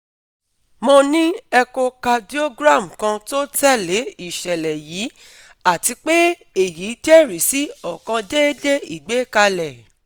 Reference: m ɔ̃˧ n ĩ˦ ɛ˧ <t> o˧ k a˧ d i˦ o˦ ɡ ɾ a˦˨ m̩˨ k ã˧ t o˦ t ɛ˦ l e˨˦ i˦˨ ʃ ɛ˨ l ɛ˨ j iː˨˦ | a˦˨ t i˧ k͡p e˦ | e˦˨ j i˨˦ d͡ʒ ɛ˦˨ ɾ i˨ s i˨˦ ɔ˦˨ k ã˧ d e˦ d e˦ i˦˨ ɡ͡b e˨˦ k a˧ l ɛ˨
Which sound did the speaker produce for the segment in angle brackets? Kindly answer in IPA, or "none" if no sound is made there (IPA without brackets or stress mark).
k